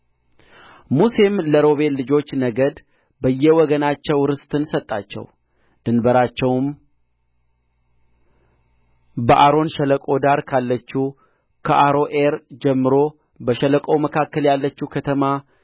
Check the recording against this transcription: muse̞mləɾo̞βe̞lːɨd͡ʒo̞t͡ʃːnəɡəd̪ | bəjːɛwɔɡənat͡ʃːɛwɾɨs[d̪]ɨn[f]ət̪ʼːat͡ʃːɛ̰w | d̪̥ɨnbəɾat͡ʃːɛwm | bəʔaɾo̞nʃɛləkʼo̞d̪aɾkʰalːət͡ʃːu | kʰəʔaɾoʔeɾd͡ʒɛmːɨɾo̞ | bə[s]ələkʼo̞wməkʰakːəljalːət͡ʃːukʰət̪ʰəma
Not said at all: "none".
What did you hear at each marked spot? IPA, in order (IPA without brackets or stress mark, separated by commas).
t̪, s, ʃ